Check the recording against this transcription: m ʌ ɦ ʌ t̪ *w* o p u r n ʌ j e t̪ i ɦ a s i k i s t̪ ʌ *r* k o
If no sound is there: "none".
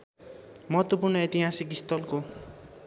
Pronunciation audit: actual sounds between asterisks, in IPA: w, l

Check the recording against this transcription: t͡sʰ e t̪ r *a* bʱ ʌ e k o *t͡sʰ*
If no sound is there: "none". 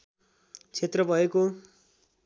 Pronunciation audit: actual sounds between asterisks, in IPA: ʌ, none

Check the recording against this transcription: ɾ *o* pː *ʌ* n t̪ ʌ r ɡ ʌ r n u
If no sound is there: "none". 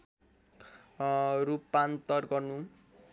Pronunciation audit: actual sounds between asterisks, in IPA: u, a

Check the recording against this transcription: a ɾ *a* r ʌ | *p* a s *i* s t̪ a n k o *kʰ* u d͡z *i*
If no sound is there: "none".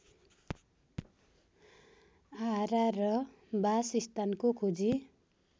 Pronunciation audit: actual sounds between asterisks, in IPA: a, b, i, kʰ, i

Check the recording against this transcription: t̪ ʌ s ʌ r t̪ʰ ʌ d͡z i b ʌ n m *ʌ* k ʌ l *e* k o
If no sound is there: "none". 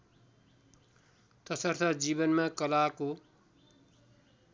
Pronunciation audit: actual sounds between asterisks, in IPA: a, a

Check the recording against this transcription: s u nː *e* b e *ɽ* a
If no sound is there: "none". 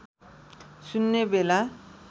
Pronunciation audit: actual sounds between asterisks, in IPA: e, l

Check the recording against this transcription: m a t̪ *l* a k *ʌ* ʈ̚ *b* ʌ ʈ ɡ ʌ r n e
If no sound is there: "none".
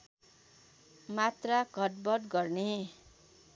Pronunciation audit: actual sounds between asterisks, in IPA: r, ʌ, b

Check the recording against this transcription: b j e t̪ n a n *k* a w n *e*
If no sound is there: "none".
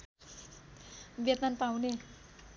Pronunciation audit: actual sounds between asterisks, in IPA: p, e

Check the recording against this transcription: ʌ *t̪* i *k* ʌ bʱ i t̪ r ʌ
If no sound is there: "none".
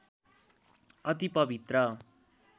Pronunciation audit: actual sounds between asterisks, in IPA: t̪, p

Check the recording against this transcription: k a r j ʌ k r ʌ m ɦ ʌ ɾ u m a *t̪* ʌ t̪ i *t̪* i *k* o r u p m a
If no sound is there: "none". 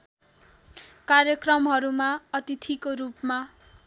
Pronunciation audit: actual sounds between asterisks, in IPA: none, t̪ʰ, k

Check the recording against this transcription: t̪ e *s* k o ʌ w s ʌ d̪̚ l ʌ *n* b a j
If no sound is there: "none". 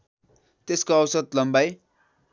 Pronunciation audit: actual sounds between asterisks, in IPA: s, m

